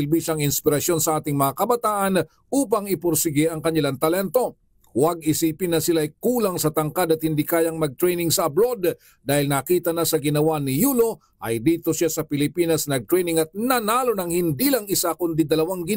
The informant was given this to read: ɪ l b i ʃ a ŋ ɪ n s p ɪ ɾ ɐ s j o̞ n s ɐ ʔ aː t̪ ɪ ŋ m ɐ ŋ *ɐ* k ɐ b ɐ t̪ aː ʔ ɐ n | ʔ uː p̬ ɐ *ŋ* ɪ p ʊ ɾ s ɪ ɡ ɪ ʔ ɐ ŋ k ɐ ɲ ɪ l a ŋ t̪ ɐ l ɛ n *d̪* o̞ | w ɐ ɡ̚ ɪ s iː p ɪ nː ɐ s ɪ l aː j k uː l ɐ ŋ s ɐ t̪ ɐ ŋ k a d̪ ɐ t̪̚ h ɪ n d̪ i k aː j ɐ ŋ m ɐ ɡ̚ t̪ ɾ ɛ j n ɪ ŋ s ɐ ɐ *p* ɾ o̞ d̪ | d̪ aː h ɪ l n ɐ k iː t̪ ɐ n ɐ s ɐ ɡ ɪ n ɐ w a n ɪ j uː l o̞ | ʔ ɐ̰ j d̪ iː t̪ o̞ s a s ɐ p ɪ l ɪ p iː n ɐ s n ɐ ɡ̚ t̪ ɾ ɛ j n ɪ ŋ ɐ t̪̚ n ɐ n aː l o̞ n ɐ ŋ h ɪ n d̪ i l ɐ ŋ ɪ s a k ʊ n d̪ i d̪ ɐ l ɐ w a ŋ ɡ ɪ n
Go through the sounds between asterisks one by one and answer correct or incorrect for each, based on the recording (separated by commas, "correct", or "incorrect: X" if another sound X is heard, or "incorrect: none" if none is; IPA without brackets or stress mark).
incorrect: a, correct, incorrect: t̪, incorrect: b